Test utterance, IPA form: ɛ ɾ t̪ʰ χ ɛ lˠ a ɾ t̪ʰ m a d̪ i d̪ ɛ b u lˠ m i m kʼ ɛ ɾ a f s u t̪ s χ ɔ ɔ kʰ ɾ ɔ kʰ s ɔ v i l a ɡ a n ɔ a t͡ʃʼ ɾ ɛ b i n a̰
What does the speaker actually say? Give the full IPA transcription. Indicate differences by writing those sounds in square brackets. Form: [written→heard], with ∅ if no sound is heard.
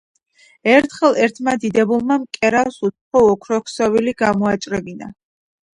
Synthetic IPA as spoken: ɛ ɾ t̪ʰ χ ɛ lˠ [a→ɛ] ɾ t̪ʰ m a d̪ i d̪ ɛ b u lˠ m [i→a] m kʼ ɛ ɾ a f s u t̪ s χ ɔ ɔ kʰ ɾ ɔ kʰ s ɔ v i l [a→i] ɡ a [n→m] ɔ a t͡ʃʼ ɾ ɛ b i n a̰